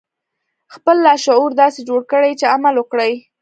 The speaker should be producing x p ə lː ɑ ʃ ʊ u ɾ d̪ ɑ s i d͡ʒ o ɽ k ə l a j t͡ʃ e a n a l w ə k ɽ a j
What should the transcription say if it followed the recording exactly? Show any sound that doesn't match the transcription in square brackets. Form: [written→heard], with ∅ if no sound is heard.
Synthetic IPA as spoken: x p ə lː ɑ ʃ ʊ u ɾ d̪ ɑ s [i→e] d͡ʒ o ɽ k ə [l→ɽ] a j t͡ʃ e a [n→m] a l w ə k ɽ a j